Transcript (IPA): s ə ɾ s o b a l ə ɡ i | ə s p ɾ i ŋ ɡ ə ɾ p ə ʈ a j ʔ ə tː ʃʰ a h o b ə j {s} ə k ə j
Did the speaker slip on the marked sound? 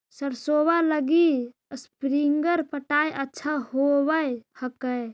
yes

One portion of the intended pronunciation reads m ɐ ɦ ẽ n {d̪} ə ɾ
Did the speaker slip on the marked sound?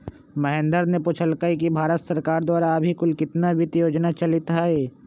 no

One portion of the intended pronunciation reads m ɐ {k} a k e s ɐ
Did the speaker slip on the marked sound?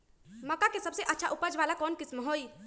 no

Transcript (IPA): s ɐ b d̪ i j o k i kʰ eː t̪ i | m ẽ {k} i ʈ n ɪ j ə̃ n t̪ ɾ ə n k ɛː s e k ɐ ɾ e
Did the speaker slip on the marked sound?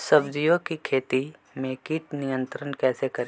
no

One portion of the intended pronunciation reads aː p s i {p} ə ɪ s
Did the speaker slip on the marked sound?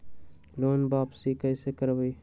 yes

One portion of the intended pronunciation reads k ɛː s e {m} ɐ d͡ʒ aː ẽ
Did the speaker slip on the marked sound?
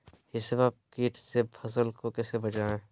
yes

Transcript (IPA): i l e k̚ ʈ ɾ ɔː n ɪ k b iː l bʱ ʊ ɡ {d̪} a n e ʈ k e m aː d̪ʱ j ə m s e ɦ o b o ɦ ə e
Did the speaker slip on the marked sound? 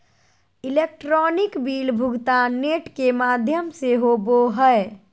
yes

